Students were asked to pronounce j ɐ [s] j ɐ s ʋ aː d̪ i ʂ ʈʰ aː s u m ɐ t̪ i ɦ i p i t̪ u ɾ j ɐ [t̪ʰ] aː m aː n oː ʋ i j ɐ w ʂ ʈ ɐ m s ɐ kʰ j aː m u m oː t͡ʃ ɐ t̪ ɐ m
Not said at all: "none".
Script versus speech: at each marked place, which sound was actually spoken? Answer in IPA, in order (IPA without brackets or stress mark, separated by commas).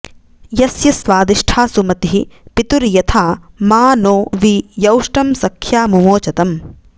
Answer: s, t̪ʰ